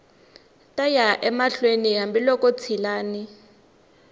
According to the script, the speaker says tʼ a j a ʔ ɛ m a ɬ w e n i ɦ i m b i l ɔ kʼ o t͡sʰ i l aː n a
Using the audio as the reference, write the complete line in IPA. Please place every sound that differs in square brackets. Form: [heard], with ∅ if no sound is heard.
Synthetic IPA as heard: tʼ a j a ʔ ɛ m a ɬ w e n i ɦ [a] m b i l ɔ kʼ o t͡sʰ i l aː n [i]